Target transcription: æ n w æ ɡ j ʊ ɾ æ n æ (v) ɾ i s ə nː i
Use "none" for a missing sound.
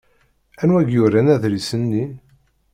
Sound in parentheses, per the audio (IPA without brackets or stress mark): ð